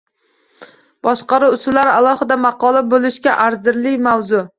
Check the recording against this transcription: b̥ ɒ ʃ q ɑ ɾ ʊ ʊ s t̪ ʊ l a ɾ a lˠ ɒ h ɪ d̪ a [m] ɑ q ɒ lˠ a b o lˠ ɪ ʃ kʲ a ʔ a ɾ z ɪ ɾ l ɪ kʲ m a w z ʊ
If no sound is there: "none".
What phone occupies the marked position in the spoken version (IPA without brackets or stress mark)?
m